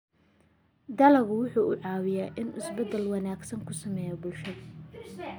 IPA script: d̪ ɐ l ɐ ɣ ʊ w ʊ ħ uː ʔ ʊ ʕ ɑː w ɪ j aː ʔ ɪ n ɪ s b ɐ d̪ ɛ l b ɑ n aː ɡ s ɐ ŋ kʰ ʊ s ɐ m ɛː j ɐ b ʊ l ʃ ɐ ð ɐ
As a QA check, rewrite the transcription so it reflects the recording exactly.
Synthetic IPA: d̪ ɐ l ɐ ɣ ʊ w ʊ ħ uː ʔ ʊ ʕ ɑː w ɪ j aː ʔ ɪ n ɪ s b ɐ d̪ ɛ l w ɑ n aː ɡ s ɐ ŋ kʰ ʊ s ɐ m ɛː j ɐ b ʊ l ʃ ɐ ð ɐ